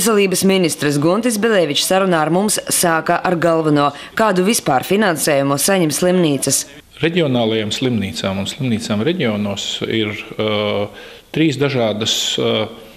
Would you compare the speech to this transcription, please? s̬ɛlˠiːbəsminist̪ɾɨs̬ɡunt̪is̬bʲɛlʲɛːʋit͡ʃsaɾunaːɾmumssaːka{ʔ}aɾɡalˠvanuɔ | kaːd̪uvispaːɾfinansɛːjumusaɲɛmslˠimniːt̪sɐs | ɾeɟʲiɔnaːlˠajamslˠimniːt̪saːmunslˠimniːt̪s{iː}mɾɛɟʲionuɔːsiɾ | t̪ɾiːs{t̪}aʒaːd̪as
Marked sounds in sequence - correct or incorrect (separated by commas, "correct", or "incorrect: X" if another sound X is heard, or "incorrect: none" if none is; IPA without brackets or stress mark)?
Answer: correct, incorrect: aː, incorrect: d̪